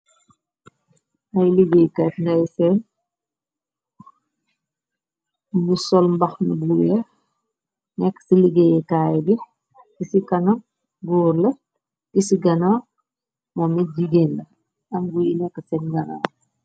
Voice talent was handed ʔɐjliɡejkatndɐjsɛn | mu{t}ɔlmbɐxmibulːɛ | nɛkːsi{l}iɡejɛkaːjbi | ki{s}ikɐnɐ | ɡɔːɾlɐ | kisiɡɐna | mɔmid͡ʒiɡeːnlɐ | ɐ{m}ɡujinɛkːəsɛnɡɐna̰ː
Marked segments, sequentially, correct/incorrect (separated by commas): incorrect, correct, correct, correct